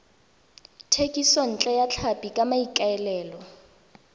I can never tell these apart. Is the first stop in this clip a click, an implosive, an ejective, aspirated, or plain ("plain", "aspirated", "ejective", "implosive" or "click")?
aspirated